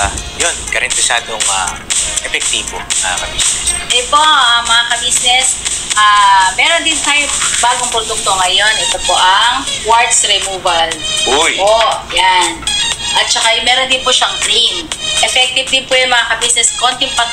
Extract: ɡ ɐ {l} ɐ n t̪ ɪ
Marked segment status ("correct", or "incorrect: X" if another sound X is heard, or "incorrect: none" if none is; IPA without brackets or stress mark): incorrect: ɾ